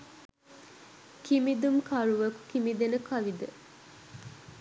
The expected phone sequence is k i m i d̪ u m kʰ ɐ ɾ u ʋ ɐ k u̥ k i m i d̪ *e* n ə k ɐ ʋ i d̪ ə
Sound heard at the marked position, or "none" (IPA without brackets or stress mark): e